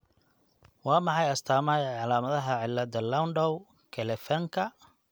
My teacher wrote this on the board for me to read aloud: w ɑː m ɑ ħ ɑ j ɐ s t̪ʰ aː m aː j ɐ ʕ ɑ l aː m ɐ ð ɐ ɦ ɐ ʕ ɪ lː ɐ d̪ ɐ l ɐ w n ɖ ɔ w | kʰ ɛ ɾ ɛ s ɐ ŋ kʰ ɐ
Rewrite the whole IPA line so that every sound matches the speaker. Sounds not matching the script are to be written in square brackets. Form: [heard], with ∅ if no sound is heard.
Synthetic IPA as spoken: w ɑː m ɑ ħ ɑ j ɐ s t̪ʰ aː m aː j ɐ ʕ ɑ l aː m ɐ ð ɐ ɦ ɐ ʕ ɪ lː ɐ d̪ ɐ l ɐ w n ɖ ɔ w | kʰ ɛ [l] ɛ [f] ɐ ŋ kʰ ɐ